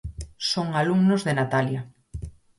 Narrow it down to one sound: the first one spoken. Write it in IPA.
s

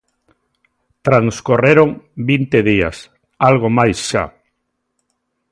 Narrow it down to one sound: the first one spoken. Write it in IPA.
t̪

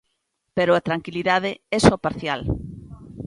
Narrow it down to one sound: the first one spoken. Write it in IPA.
p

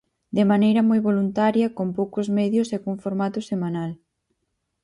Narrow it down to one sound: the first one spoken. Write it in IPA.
d̪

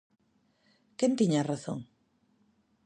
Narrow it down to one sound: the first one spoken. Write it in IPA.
k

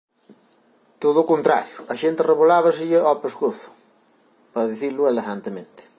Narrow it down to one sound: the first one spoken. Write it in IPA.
t̪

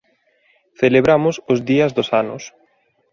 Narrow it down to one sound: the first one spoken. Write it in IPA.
θ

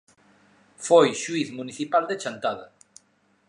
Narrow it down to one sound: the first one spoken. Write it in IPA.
f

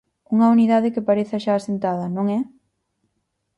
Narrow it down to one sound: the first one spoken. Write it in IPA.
u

